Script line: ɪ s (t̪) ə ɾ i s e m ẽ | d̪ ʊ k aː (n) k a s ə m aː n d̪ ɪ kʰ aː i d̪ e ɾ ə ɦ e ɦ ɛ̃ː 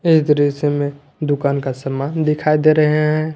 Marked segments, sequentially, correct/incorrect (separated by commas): incorrect, correct